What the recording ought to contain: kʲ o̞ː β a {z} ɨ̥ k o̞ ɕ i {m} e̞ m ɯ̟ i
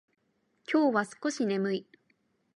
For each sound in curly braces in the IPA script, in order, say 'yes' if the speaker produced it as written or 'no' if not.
no, no

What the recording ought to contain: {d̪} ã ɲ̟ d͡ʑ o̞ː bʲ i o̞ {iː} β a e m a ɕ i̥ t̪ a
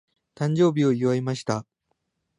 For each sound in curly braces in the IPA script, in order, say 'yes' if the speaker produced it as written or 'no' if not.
no, no

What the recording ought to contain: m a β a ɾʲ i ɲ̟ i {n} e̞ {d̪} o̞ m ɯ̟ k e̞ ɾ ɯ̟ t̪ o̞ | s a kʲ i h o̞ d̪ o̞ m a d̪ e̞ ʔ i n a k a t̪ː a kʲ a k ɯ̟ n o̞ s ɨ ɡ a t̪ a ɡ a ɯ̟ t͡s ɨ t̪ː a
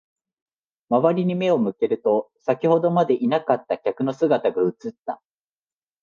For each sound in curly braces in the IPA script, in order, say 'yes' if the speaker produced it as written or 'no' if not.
no, no

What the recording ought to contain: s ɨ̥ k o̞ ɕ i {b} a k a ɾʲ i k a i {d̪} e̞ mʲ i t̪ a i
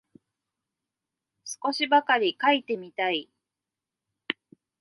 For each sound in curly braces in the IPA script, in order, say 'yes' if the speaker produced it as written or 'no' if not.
yes, no

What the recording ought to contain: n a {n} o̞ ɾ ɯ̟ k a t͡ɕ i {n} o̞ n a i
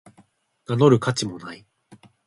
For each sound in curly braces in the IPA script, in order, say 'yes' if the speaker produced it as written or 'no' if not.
yes, no

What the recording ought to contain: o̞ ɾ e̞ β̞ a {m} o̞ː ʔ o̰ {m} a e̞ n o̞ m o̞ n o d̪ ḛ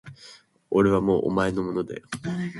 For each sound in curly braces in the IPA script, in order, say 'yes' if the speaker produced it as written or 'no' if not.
yes, yes

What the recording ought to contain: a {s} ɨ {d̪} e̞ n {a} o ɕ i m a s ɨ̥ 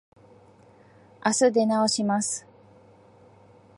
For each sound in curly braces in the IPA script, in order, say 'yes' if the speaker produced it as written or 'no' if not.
yes, yes, yes

